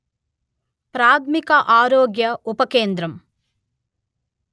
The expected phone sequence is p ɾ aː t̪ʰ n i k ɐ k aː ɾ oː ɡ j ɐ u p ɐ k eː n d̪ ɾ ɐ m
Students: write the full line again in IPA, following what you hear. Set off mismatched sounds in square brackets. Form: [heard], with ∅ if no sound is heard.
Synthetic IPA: p ɾ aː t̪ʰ [m] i k ɐ [ʔ] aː ɾ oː ɡ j ɐ u p ɐ k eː n d̪ ɾ ɐ m